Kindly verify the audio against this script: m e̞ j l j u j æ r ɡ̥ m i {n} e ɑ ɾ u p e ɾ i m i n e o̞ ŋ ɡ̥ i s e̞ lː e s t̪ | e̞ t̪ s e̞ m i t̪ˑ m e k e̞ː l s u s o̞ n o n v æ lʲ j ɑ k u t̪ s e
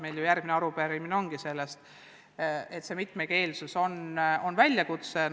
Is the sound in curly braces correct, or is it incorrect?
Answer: correct